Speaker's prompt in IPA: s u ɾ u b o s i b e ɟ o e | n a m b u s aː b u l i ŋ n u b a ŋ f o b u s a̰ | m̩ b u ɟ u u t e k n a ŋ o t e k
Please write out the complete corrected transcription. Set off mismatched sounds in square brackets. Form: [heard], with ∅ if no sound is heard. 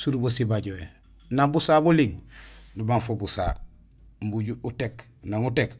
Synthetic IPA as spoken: s u ɾ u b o s i b [a] ɟ o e | n a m b u s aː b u l i ŋ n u b a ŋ f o b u s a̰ | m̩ b u ɟ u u t e k n a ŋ [u] t e k

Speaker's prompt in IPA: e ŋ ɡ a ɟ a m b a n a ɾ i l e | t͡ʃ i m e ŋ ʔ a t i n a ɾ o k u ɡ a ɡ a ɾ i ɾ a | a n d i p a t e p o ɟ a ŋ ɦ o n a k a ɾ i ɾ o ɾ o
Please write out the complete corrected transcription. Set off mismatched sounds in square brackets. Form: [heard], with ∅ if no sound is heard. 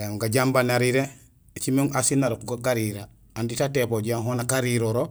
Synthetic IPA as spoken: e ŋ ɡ a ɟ a m b a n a ɾ i [ɾ] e | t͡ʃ i m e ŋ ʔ a [s] i n a ɾ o k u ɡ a ɡ a ɾ i ɾ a | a n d i [t] a t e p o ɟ a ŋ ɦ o n a k a ɾ i ɾ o ɾ o

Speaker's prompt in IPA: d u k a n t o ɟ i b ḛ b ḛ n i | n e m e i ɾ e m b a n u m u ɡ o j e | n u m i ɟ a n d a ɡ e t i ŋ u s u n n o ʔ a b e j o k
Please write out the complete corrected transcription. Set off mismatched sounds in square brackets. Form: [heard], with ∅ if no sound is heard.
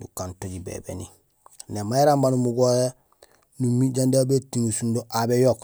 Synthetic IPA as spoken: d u k a n t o ɟ i b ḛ b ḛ n i | n e m [a] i ɾ [a] m b a n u m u ɡ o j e | n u m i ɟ a n d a [b] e t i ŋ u s u n [d] o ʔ a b e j o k

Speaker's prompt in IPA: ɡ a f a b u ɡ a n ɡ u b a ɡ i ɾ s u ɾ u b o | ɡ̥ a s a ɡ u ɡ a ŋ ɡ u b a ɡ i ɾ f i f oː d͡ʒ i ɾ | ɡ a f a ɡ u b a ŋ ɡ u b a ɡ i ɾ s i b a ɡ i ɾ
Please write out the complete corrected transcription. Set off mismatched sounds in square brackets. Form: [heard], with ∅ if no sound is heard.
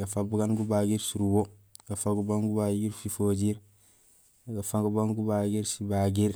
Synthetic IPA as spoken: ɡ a f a b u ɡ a n ɡ u b a ɡ i ɾ s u ɾ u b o | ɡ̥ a [f] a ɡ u [b] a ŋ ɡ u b a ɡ i ɾ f i f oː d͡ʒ i ɾ | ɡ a f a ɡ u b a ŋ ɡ u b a ɡ i ɾ s i b a ɡ i ɾ

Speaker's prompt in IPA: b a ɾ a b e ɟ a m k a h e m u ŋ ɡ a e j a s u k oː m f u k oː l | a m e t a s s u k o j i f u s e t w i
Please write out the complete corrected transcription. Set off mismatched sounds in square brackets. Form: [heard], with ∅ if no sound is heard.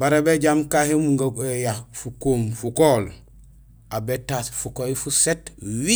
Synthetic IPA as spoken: b a ɾ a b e ɟ a m k a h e m u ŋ ɡ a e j a [f] u k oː m f u k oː l | a [b] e t a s [f] u k o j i f u s e t w i

